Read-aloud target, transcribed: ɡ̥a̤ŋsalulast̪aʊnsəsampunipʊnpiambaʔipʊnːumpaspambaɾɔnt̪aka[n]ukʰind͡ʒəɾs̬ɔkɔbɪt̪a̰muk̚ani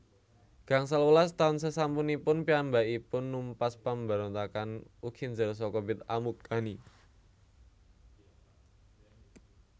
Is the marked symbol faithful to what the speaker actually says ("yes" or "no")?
yes